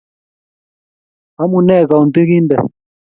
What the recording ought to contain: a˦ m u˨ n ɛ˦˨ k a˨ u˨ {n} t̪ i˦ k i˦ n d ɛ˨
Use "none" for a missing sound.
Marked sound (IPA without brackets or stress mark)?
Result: n